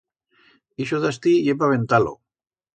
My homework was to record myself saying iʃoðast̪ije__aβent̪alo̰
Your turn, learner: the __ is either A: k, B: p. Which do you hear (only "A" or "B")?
B